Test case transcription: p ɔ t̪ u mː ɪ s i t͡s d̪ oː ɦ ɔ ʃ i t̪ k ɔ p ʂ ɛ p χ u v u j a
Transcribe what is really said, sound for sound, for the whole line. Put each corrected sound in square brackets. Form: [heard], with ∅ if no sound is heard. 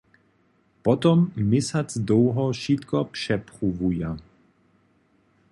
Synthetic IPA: p ɔ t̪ [ɔ] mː ɪ s [a] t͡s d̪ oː ɦ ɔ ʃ i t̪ k ɔ p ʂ ɛ p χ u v u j a